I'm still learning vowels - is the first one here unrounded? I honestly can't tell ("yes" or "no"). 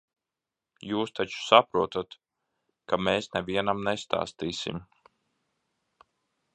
no